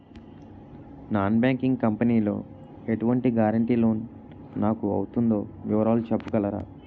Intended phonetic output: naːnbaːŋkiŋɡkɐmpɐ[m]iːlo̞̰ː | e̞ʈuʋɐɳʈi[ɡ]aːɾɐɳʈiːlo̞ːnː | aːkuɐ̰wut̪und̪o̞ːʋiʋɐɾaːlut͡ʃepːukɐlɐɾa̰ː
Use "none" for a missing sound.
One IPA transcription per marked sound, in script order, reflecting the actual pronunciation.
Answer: n, ɡ

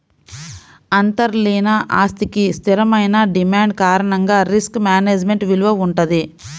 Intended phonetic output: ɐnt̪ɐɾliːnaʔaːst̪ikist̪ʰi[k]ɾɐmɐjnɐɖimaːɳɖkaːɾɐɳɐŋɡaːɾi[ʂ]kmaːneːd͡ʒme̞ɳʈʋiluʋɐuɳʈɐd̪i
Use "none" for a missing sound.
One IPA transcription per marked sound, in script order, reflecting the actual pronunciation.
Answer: none, s

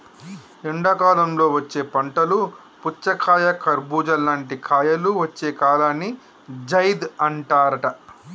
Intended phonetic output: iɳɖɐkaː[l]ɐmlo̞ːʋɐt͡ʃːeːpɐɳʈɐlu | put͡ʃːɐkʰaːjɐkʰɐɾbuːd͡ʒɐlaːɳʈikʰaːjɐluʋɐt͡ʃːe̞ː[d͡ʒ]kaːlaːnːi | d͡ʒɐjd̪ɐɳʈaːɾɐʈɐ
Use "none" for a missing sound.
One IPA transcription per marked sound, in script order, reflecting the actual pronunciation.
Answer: l, none

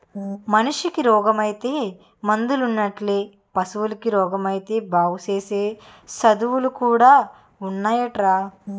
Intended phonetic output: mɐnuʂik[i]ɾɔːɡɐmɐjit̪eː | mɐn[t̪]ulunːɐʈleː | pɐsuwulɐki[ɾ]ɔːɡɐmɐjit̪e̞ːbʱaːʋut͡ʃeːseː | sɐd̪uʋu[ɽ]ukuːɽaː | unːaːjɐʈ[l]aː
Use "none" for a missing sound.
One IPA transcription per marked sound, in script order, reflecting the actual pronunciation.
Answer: i, d̪, ɾ, l, ɾ

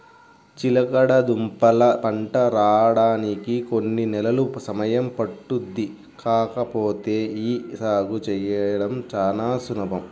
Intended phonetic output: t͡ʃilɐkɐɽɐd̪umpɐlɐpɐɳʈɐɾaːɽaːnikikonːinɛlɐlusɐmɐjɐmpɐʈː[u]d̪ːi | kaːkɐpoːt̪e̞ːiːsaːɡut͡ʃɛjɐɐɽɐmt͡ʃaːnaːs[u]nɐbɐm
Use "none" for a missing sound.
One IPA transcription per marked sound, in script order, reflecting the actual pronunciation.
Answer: u, u

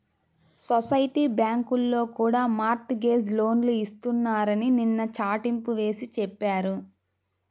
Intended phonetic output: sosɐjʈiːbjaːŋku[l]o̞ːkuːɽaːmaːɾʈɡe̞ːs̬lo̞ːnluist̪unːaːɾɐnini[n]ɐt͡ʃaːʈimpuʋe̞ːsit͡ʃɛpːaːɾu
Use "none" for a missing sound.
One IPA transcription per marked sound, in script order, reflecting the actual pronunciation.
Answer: lː, nː

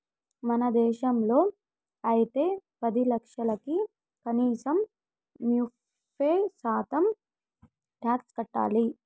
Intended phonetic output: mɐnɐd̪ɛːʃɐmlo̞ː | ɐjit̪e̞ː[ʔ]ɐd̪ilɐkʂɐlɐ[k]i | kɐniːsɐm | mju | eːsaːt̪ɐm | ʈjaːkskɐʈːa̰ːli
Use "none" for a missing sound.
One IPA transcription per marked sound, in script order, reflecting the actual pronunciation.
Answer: p, k

